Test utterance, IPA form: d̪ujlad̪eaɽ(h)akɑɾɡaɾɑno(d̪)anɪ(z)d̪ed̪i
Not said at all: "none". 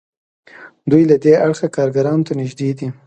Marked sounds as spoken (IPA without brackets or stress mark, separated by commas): x, t̪, ʒ